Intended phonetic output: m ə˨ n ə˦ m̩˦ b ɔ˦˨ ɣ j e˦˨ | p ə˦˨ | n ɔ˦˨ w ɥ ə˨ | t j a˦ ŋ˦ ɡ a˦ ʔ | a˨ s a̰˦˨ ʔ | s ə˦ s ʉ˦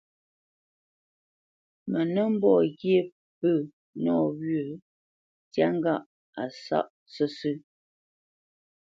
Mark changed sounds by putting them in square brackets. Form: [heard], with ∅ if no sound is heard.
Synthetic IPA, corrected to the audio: m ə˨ n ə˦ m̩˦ b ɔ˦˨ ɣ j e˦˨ | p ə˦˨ | n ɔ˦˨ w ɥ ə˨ | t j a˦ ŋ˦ ɡ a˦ ʔ | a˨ s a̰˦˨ ʔ | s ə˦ s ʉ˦